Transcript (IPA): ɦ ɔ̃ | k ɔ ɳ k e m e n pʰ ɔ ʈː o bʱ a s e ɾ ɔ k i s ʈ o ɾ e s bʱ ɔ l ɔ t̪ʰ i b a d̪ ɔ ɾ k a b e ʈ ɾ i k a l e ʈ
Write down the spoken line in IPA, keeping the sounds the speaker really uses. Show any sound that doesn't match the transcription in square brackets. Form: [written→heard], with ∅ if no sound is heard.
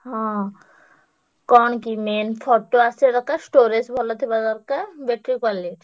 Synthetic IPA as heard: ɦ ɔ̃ | k ɔ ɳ k [e→i] m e n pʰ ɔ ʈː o [bʱ→∅] a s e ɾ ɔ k [i→a] s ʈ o ɾ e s bʱ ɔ l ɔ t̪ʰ i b a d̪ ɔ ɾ k a b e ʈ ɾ i k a l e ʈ